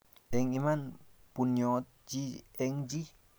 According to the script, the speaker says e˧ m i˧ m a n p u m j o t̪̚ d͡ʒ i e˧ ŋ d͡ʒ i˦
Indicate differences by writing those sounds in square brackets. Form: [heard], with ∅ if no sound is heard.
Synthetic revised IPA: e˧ [ŋ] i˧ m a n p u [n] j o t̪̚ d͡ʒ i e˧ ŋ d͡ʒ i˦